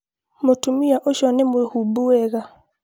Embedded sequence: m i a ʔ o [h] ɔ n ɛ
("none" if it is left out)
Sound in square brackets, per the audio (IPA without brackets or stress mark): ʃ